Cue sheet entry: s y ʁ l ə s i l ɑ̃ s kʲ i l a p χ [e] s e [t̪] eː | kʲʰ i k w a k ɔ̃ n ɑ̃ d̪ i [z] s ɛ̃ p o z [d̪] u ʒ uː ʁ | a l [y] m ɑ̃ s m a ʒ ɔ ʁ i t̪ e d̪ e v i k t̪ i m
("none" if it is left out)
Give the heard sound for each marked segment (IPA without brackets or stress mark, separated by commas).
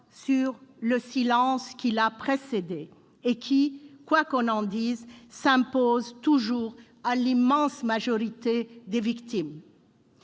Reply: e, d̪, z, t̪, i